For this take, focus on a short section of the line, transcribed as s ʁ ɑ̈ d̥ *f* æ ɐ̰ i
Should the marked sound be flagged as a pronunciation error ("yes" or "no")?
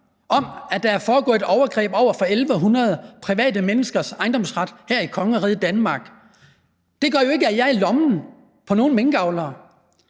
yes